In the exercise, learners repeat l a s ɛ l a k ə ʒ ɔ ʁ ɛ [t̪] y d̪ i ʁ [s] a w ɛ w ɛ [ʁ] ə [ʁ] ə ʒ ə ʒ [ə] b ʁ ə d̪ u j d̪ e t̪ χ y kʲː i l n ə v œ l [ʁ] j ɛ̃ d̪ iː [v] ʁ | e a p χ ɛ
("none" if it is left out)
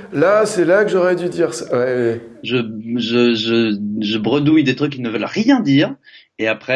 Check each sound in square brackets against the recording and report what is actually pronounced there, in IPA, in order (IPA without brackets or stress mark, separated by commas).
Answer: d̪, s, ʒ, ʒ, ə, ʁ, none